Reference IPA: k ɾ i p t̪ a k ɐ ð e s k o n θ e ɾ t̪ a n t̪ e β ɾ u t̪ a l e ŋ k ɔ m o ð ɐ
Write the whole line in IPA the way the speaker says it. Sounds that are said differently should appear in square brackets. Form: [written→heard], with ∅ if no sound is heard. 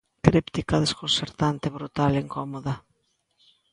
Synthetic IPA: k ɾ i p t̪ [a→i] k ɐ ð e s k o n [θ→s] e ɾ t̪ a n t̪ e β ɾ u t̪ a l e ŋ k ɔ m o ð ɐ

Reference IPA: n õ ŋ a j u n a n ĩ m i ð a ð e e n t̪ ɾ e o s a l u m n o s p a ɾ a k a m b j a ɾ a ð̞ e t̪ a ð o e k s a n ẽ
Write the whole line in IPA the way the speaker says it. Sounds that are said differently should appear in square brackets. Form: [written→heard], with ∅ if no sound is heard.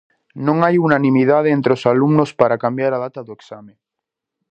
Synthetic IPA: n õ ŋ a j u n a n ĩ m i ð a ð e e n t̪ ɾ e o s a l u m n o s p a ɾ a k a m b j a ɾ a ð̞ [e→a] t̪ a ð o e k s a [n→m] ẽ

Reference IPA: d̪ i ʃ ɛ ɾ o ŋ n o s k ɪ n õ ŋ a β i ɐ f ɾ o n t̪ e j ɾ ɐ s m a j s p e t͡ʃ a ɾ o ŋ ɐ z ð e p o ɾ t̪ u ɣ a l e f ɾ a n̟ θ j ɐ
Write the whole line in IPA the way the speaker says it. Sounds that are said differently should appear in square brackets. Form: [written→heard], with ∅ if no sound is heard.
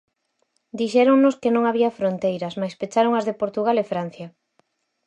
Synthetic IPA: d̪ i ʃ ɛ ɾ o ŋ n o s k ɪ n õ ŋ a β i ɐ f ɾ o n t̪ e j ɾ ɐ s m a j s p e t͡ʃ a ɾ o ŋ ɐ z ð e p o ɾ t̪ u ɣ a l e f ɾ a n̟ θ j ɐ

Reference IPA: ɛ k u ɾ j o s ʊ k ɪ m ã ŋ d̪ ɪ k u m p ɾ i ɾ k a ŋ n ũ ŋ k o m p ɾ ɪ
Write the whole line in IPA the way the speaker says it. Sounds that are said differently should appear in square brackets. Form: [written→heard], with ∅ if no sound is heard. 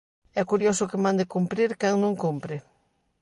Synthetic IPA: ɛ k u ɾ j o s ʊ k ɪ m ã [ŋ→n] d̪ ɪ k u m p ɾ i ɾ k a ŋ n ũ ŋ k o m p ɾ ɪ

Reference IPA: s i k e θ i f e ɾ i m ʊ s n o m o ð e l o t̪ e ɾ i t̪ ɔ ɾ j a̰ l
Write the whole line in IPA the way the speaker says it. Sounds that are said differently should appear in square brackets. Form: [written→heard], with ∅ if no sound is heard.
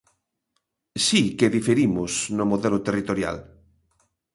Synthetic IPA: s i k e [θ→ð] i f e ɾ i m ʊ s n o m o ð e l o t̪ e [ɾ→r] i t̪ [ɔ→o] ɾ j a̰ l

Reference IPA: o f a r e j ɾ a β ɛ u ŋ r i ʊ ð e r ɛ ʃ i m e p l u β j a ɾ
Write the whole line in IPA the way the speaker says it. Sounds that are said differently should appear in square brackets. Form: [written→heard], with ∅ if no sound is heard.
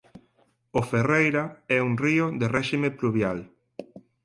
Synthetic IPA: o f [a→e] r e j ɾ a [β→∅] ɛ u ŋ r i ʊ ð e r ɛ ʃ i m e p l u β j a [ɾ→l]

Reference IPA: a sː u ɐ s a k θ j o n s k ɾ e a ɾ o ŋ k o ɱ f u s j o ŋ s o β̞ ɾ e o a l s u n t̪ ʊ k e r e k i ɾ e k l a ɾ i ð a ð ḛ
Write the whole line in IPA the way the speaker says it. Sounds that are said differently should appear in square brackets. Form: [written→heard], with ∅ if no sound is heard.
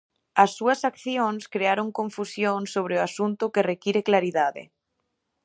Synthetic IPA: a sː u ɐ s a k θ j o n s k ɾ e a ɾ o ŋ k o ɱ f u s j o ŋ s o β̞ ɾ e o a [l→∅] s u n t̪ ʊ k e r e k i ɾ e k l a ɾ i ð a ð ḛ

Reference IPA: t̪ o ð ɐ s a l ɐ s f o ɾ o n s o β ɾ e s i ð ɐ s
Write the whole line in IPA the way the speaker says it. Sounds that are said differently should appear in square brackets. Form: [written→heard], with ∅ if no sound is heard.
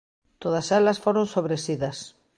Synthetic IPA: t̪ o ð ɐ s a l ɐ s f o ɾ o n s o β ɾ e s i ð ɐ s

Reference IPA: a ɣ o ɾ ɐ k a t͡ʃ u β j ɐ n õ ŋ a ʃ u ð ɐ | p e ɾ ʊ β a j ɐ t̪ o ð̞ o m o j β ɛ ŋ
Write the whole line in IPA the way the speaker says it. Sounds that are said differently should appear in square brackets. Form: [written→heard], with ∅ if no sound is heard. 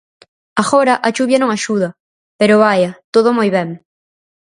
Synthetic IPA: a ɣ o ɾ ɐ [k→ʔ] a t͡ʃ u β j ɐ n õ ŋ a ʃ u ð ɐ | p e ɾ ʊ β a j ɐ t̪ o ð̞ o m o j β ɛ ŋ

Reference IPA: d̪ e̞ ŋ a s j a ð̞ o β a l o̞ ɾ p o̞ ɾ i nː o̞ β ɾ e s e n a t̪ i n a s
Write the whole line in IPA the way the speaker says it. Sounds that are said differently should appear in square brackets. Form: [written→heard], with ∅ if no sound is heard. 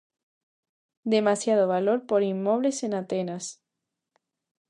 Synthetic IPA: d̪ e̞ [ŋ→m] a s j a ð̞ o β a l o̞ ɾ p o̞ ɾ i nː o̞ β [ɾ→l] e s e n a t̪ [i→e] n a s

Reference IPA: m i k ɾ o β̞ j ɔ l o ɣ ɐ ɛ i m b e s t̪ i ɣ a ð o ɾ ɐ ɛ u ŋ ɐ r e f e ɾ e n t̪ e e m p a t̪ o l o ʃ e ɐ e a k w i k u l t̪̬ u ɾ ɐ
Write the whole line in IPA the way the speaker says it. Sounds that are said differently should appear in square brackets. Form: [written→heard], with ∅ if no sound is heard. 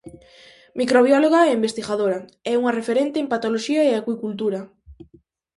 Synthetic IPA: m i k ɾ o β̞ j ɔ l o ɣ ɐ ɛ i m b e s t̪ i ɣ a ð o ɾ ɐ ɛ u ŋ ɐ r e f e ɾ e n t̪ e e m p a t̪ o l o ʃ [e→i] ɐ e a k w i k u l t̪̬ u ɾ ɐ

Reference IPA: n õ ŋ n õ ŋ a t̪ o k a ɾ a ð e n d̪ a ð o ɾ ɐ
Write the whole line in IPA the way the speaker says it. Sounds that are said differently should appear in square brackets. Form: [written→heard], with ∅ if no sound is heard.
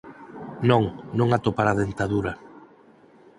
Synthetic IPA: n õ ŋ n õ ŋ a t̪ o [k→p] a ɾ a ð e n [d̪→t̪] a ð [o→u] ɾ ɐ

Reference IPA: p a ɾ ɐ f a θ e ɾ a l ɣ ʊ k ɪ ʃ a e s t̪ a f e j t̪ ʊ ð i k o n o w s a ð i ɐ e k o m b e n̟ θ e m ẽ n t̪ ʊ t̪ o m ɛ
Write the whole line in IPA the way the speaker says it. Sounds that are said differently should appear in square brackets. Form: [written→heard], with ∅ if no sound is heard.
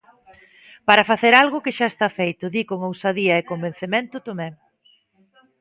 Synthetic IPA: p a ɾ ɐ f a θ e ɾ a l ɣ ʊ k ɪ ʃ a e s t̪ a f e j t̪ ʊ ð i k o [n→ŋ] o w s a ð i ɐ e k o m b e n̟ θ e m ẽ n t̪ ʊ t̪ o m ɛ

